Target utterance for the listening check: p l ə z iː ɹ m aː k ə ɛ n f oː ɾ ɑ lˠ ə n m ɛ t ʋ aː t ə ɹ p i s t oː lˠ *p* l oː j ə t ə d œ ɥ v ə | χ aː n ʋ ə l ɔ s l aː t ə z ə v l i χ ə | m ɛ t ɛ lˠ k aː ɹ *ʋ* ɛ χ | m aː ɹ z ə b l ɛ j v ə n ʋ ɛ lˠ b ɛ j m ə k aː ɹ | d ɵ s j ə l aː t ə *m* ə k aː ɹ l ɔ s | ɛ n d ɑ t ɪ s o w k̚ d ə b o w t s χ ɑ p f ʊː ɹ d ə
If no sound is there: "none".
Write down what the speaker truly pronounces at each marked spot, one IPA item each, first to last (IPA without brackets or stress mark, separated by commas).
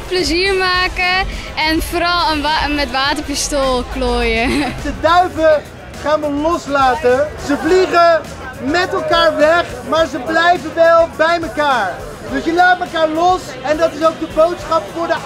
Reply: k, ʋ, m